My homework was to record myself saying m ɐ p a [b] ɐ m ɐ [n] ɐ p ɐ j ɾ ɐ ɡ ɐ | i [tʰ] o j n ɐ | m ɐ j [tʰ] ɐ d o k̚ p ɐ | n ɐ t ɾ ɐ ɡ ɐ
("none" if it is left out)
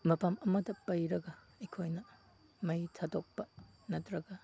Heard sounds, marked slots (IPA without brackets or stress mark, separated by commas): m, d, kʰ, tʰ